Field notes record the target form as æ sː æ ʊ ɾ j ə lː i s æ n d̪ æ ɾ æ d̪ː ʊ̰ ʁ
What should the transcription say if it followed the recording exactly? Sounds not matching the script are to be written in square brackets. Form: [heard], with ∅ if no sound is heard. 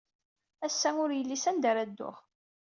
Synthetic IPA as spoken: æ sː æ ʊ ɾ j ə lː i s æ n d̪ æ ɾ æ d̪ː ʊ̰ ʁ